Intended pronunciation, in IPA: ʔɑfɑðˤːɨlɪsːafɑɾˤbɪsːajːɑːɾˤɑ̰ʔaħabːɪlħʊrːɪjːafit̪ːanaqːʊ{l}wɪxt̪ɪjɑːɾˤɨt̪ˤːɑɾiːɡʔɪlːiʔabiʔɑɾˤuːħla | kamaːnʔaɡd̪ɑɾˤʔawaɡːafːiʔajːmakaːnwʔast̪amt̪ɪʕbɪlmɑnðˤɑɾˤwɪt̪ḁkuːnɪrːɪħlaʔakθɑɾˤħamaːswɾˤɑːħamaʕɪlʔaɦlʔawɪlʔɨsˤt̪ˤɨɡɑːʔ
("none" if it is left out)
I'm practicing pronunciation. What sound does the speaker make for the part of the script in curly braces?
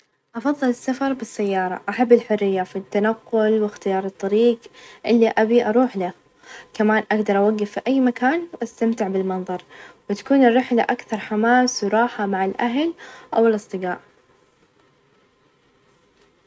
l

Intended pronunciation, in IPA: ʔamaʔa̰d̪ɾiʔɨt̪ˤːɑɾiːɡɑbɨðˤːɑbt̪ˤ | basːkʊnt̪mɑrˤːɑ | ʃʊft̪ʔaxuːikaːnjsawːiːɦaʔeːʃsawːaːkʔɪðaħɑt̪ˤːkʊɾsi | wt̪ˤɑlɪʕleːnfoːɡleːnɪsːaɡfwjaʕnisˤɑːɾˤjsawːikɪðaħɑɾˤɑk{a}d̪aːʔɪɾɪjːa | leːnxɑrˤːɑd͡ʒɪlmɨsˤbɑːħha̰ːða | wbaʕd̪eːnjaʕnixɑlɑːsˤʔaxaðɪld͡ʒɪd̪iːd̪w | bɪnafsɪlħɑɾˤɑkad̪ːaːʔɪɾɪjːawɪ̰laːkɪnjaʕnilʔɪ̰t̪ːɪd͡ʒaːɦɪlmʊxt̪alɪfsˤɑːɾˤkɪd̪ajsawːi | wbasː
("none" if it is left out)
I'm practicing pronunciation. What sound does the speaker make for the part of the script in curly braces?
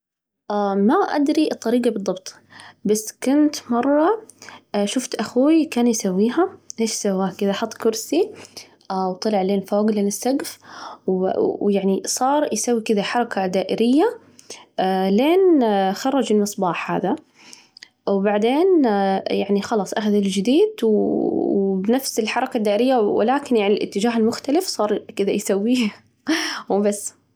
a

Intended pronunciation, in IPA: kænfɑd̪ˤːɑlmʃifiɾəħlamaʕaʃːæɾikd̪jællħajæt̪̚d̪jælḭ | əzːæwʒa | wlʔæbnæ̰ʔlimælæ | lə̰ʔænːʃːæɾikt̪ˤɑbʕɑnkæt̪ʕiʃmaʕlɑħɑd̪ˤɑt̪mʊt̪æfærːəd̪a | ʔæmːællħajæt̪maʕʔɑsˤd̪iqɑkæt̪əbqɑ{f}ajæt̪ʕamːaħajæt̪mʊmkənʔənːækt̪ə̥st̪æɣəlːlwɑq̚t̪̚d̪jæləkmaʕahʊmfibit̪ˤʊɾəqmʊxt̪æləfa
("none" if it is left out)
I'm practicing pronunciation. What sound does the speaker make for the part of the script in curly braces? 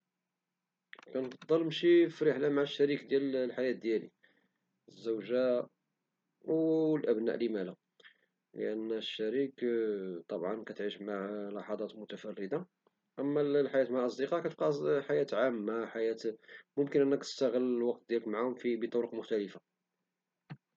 ħ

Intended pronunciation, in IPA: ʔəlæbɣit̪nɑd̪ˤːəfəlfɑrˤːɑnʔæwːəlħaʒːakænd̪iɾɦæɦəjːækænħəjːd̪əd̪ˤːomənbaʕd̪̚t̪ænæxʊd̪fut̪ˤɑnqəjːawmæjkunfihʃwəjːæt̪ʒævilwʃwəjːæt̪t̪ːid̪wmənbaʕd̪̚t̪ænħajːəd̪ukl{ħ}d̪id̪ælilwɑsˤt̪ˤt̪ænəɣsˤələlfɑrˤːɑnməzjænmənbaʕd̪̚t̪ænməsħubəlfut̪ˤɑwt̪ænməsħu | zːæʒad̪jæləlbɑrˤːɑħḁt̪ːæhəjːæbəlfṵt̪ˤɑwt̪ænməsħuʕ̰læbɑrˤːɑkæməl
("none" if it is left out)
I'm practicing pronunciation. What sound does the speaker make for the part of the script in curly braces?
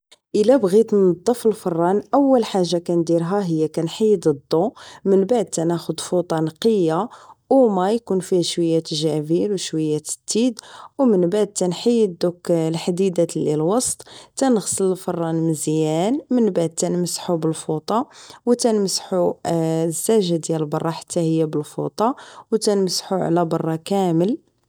ħ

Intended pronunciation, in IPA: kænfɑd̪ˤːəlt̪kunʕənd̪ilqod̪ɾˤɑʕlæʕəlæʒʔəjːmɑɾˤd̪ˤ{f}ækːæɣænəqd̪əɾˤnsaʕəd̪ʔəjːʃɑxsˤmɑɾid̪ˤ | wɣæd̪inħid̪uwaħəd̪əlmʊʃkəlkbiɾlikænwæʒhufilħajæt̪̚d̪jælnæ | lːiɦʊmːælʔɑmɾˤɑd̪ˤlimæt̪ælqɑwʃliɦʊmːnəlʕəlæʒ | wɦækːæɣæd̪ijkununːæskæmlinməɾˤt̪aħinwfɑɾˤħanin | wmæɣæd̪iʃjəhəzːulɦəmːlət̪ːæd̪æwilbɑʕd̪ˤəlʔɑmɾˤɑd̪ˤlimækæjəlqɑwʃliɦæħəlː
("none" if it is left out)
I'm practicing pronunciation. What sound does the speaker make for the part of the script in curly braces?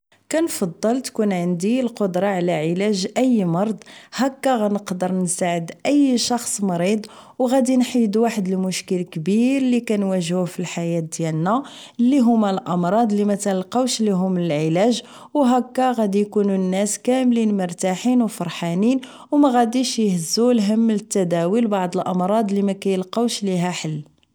h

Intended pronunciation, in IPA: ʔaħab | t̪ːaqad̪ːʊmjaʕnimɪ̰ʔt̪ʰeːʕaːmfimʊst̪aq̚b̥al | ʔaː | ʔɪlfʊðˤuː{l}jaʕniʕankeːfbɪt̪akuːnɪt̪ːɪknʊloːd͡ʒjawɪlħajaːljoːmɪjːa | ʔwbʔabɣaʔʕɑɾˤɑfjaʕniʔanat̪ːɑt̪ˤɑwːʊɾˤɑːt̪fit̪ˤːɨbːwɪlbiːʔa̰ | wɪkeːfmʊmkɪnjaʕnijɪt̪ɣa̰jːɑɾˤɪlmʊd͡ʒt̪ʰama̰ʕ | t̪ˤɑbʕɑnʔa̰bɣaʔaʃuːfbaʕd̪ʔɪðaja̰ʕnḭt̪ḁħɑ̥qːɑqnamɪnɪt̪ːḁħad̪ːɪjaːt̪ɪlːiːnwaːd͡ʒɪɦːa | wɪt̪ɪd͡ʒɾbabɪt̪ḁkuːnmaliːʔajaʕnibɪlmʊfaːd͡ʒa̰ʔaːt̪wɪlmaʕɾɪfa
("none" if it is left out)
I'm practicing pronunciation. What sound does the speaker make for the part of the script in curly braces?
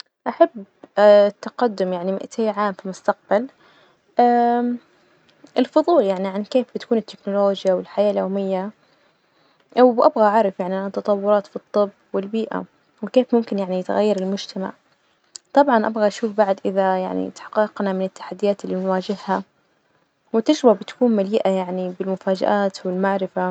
l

